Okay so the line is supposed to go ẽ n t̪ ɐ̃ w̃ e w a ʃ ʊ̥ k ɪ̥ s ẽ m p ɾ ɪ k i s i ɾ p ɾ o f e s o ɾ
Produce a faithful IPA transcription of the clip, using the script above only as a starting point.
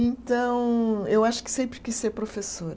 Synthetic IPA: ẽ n t̪ ɐ̃ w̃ e w a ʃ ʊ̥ k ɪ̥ s ẽ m p ɾ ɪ k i s e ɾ p ɾ o f e s o ɾ